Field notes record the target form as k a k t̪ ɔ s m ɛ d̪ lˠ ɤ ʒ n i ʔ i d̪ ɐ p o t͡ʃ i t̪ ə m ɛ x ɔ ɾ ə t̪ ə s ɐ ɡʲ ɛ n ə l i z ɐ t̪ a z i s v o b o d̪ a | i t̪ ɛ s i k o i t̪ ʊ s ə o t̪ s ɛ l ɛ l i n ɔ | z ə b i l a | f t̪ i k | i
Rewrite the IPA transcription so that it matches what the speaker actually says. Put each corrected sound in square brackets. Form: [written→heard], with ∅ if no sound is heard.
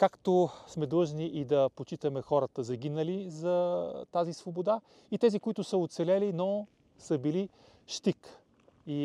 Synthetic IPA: k a k t̪ [ɔ→o] s m ɛ d̪ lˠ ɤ ʒ n i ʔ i d̪ ɐ p o t͡ʃ i t̪ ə m ɛ x ɔ ɾ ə t̪ ə [s→z] ɐ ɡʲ [ɛ→i] n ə l i z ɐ t̪ a z i s v o b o d̪ a | i t̪ ɛ [s→z] i k o i t̪ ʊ s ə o t̪ s ɛ l ɛ l i n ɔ | [z→s] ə b i l [a→i] | [f→ʃ] t̪ i k | i